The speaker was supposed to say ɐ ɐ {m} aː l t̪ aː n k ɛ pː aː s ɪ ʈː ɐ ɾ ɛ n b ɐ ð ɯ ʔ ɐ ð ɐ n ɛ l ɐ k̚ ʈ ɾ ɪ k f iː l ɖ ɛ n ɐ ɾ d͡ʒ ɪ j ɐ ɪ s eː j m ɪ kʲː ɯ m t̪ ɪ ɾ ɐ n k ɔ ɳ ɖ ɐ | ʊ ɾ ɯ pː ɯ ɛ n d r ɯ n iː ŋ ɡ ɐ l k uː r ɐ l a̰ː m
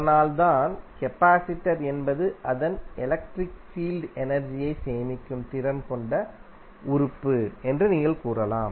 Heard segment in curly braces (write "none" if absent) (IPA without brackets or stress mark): n